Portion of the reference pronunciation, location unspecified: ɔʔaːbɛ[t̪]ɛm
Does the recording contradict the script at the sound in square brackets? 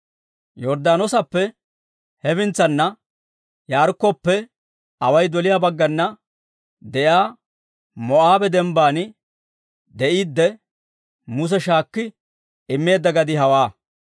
yes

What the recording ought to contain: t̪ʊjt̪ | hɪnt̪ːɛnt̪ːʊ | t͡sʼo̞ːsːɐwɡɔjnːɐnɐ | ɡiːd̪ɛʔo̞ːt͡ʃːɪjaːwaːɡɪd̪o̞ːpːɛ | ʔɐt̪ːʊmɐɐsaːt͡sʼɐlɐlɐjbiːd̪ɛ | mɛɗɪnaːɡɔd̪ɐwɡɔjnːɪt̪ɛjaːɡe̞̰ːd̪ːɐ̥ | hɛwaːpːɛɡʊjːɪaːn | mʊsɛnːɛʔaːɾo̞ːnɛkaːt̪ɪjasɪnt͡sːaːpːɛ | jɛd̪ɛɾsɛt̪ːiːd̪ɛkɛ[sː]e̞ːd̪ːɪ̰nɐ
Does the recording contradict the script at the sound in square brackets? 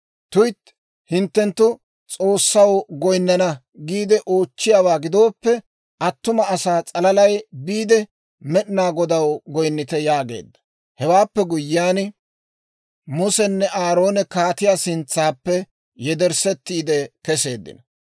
yes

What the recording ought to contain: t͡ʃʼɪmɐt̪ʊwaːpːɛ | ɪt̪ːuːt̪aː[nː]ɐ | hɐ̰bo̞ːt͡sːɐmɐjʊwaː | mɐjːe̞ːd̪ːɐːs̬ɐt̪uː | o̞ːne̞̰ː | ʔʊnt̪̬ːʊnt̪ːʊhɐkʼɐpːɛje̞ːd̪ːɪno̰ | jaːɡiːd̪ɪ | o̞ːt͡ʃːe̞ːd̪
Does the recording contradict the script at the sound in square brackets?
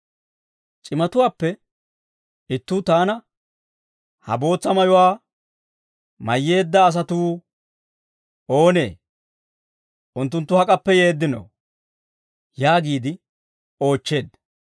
yes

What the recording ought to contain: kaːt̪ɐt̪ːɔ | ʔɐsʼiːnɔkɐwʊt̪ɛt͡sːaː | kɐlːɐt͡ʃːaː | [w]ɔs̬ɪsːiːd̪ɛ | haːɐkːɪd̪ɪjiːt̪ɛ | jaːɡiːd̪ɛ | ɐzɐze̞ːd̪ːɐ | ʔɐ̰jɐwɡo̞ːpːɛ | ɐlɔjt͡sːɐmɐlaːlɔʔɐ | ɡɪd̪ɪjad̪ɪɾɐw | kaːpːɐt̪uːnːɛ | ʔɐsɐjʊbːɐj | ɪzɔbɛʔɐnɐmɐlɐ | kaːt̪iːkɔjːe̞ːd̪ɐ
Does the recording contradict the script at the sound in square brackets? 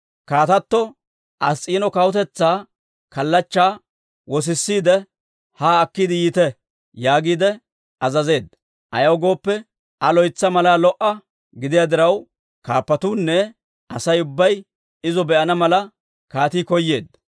no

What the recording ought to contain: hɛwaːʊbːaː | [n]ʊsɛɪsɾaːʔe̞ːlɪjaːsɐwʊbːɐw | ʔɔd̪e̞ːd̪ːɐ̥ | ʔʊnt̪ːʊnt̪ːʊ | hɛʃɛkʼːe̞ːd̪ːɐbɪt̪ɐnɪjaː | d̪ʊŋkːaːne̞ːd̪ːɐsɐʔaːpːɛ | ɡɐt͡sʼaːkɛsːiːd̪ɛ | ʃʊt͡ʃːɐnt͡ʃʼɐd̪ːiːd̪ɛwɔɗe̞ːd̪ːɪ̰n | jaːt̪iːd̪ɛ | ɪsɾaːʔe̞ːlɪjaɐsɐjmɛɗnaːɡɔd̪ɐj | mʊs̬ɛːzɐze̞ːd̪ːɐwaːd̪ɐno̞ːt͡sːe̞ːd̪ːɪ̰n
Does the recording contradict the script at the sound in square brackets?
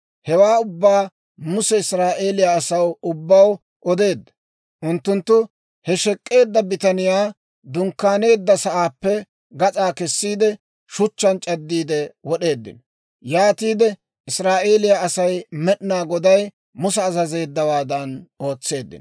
yes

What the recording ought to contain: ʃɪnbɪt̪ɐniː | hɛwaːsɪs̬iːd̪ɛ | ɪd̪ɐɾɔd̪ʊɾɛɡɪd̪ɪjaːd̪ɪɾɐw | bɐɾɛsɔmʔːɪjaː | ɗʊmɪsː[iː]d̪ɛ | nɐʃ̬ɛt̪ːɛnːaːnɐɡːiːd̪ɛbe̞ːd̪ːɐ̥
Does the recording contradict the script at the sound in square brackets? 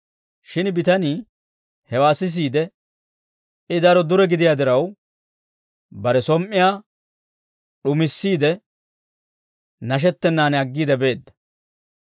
no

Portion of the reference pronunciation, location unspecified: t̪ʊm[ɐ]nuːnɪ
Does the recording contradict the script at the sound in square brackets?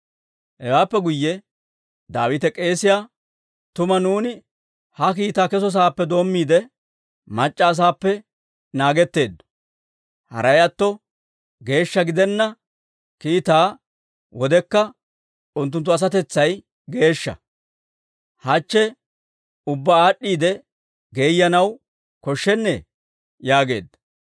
no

